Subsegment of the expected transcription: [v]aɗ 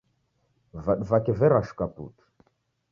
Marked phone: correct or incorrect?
correct